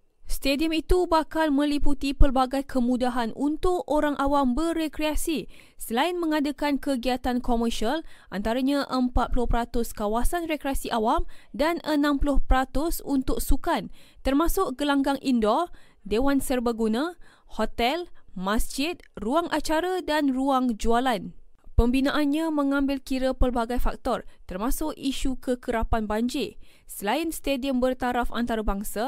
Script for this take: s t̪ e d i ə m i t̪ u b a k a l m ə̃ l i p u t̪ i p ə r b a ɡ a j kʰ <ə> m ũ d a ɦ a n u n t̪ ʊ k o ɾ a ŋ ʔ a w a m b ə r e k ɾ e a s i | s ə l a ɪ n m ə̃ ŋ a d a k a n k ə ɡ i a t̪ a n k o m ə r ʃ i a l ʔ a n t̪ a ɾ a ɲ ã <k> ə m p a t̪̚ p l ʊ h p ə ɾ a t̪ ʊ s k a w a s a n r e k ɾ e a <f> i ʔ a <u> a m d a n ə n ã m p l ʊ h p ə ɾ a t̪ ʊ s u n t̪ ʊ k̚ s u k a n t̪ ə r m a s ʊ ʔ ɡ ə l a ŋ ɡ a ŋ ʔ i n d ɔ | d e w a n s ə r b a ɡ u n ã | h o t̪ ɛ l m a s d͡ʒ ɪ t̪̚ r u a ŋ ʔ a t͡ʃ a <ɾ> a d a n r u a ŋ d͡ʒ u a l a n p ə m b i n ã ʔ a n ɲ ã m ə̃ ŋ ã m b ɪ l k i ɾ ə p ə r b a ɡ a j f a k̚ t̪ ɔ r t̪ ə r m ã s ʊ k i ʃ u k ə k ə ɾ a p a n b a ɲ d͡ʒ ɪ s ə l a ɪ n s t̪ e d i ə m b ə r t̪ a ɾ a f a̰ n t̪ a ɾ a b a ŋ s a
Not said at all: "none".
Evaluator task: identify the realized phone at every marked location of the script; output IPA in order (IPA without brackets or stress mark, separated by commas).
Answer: ə, ʔ, s, w, ɾ